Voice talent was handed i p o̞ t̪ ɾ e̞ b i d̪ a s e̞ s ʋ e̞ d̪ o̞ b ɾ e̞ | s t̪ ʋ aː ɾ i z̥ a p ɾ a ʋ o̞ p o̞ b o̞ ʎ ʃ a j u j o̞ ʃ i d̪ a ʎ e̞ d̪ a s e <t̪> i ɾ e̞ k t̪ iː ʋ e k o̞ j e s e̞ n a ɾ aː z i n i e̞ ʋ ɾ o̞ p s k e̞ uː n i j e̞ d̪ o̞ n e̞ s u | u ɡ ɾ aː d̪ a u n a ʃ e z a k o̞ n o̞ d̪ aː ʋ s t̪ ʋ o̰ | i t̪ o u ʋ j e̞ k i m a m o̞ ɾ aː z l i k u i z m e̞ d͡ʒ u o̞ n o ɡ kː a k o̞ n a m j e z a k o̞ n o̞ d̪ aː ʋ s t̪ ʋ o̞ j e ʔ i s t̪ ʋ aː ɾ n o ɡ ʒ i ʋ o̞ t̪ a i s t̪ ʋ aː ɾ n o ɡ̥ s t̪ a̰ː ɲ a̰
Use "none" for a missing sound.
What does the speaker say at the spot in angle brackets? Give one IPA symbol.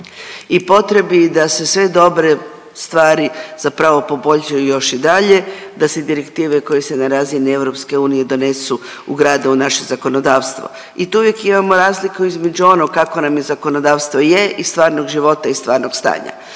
d̪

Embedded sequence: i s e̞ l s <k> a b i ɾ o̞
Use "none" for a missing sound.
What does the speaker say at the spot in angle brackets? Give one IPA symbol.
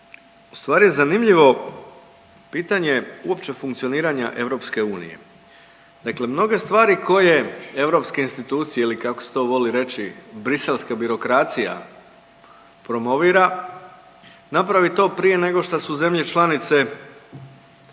k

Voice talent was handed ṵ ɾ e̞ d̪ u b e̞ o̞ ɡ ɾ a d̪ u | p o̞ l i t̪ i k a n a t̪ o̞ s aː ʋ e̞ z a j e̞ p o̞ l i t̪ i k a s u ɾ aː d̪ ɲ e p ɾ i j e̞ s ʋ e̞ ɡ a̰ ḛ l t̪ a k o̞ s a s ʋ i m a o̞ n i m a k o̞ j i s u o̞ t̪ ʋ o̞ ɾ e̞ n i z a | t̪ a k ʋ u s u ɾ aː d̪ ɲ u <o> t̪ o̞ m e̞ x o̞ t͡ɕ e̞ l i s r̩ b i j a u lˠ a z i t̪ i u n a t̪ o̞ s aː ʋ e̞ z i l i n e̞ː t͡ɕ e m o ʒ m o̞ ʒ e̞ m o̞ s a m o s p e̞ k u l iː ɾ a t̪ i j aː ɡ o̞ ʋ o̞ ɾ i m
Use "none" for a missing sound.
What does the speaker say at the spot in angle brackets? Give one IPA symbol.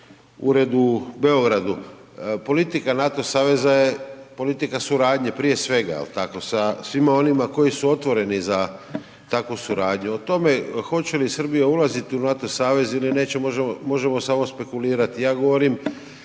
o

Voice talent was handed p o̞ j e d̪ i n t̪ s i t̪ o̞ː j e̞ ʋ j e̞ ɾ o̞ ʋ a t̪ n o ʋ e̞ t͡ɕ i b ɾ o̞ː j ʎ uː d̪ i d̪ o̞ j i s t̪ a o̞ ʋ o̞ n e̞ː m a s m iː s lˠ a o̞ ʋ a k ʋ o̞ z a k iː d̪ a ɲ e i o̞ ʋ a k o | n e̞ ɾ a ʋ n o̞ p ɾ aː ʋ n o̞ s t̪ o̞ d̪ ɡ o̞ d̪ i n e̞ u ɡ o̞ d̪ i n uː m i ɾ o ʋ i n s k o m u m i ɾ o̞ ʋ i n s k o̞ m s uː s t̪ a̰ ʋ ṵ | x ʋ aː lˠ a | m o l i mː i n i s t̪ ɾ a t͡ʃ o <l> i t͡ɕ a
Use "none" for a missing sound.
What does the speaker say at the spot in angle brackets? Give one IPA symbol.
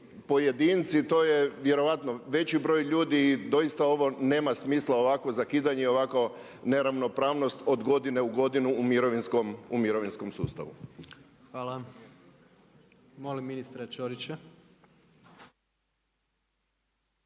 ɾ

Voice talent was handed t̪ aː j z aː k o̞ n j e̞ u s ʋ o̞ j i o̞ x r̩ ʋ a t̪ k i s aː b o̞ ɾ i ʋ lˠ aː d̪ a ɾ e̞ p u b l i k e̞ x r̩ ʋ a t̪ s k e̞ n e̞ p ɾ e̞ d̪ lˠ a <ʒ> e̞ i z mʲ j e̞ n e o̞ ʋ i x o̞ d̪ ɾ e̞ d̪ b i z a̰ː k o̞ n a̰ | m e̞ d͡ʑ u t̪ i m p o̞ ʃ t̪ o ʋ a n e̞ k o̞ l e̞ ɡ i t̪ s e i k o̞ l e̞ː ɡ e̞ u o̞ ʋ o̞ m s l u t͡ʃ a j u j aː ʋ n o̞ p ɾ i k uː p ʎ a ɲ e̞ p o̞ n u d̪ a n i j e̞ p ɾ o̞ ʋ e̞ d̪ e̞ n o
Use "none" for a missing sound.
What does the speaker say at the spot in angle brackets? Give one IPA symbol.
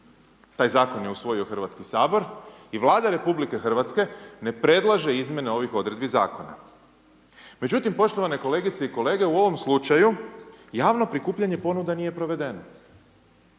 ʒ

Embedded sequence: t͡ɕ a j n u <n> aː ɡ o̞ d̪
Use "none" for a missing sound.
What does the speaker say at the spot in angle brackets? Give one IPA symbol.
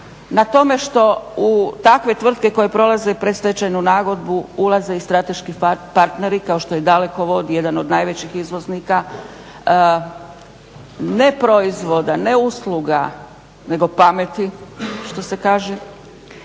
n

